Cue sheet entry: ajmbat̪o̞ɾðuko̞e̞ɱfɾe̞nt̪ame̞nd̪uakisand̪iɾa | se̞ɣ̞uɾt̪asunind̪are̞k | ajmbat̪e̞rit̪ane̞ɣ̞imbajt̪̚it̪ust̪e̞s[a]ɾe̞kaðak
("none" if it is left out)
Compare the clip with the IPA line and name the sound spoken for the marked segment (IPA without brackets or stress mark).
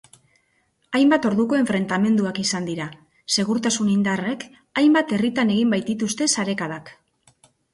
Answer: a